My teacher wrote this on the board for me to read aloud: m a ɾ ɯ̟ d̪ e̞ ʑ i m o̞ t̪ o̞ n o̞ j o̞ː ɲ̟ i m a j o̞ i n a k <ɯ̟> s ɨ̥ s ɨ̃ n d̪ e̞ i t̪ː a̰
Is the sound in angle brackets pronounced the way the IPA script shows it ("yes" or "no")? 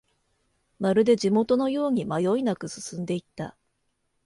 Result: yes